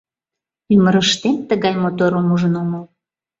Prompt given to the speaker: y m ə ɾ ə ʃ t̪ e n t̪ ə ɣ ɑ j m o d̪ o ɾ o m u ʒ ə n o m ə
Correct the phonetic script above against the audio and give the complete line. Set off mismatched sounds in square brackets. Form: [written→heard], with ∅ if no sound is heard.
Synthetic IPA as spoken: y m ə ɾ ə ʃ t̪ e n t̪ ə ɣ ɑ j m o [d̪→t̪] o ɾ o m u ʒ ə n o m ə